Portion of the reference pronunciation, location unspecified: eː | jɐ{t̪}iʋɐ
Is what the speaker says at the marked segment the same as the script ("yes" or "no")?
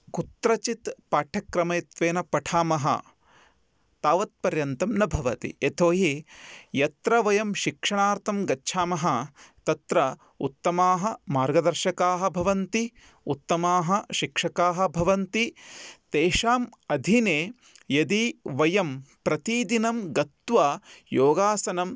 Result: no